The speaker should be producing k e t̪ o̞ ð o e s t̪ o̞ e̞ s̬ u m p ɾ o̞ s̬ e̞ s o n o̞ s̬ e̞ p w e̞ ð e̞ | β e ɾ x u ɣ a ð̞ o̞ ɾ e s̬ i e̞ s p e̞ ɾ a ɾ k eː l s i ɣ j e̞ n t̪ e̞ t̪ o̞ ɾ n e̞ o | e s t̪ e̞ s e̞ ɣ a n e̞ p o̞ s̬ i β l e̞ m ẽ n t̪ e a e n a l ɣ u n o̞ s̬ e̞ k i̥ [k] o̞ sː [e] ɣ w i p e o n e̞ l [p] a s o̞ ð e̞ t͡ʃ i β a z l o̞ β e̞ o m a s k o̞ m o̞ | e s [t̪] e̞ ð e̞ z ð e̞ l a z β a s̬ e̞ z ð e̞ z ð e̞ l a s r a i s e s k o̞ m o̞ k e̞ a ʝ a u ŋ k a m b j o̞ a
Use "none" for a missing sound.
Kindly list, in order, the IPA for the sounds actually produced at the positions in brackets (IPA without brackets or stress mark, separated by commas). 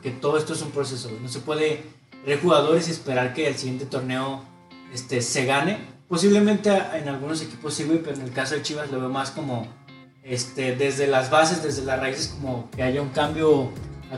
p, i, k, t̪